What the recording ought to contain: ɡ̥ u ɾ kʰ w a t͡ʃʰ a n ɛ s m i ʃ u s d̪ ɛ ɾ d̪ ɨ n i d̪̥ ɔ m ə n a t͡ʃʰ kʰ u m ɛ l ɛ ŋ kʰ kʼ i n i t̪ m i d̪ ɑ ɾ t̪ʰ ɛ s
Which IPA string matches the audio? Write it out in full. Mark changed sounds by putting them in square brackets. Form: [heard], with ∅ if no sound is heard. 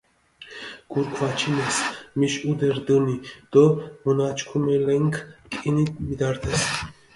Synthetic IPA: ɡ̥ u ɾ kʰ [v] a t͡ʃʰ [i] n ɛ s m i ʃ u [∅] d̪ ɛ ɾ d̪ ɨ n i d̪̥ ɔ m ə n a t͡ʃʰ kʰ u m ɛ l ɛ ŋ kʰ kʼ i n i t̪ m i d̪ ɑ ɾ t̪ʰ ɛ s